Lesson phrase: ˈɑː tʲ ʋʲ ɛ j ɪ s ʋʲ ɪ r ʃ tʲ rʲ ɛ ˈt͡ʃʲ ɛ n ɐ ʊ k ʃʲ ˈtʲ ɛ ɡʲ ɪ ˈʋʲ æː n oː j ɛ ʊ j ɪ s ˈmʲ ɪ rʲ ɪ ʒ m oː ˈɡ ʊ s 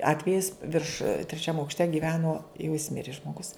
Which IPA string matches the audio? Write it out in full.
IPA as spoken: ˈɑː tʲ ʋʲ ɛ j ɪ s ʋʲ ɪ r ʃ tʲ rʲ ɛ ˈt͡ʃʲ ɛ m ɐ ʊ k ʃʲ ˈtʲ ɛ ɡʲ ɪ ˈʋʲ æː n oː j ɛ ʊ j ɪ s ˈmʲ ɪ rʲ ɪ ʒ m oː ˈɡ ʊ s